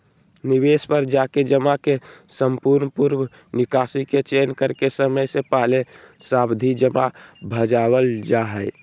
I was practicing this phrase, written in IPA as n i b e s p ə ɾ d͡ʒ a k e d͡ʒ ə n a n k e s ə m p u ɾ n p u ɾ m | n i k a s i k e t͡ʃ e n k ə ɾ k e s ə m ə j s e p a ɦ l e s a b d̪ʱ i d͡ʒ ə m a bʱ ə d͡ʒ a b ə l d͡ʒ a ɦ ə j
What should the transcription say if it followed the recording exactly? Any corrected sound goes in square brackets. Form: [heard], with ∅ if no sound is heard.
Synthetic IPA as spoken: n i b e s p ə ɾ d͡ʒ a k e d͡ʒ ə [m] a [∅] k e s ə m p u ɾ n p u ɾ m | n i k a s i k e t͡ʃ e n k ə ɾ k e s ə m ə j s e p a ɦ l e s a b d̪ʱ i d͡ʒ ə m a bʱ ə d͡ʒ a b ə l d͡ʒ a ɦ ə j